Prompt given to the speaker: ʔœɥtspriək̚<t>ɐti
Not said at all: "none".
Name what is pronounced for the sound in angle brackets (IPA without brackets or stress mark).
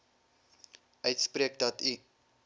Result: d